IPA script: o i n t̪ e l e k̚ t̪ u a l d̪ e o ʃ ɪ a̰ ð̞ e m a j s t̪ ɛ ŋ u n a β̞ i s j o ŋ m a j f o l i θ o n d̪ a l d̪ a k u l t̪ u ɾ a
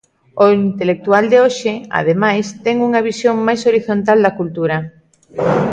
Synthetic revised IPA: o i n t̪ e l e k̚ t̪ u a l d̪ e o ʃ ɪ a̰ ð̞ e m a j s t̪ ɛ ŋ u ŋ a β̞ i s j o ŋ m a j s o ɾ i θ o n t̪ a l d̪ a k u l t̪ u ɾ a